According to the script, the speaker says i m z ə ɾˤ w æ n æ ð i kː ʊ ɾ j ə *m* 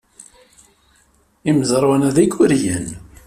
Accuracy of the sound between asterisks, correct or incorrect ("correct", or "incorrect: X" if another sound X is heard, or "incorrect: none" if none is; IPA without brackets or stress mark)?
incorrect: n